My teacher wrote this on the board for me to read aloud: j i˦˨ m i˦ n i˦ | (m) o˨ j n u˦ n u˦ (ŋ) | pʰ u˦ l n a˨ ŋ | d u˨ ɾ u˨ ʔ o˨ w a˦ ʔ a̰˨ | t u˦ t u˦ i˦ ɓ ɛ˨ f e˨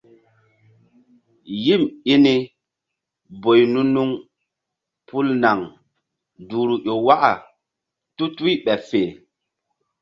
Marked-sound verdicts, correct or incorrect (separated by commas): incorrect, correct